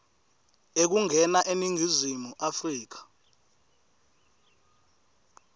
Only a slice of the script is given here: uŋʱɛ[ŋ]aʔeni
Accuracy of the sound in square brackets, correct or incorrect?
incorrect